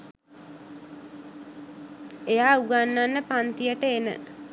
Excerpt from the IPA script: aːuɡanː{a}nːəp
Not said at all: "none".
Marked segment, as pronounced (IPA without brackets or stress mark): a